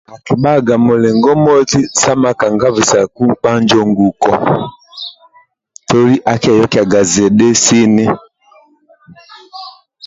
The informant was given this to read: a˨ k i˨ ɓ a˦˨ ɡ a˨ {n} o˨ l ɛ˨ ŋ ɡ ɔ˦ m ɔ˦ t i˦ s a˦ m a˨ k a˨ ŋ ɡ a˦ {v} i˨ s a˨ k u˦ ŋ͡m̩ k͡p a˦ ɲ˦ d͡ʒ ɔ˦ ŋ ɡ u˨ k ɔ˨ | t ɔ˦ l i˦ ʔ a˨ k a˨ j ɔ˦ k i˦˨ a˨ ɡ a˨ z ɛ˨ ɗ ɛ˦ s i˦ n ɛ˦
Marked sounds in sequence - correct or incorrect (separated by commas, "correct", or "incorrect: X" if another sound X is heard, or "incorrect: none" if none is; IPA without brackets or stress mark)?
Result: incorrect: m, correct